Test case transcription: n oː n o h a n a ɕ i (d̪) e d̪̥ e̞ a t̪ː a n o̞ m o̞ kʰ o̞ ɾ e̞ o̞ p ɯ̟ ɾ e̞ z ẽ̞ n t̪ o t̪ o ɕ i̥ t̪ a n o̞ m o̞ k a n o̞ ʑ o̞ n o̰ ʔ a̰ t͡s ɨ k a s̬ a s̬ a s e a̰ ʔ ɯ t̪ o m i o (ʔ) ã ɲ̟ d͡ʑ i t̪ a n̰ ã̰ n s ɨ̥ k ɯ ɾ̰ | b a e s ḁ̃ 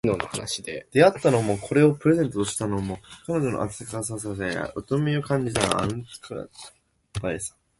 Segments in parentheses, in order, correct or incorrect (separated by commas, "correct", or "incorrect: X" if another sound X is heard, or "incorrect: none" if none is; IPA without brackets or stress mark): correct, incorrect: k